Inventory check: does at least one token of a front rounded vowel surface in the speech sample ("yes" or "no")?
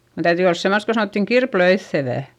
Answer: yes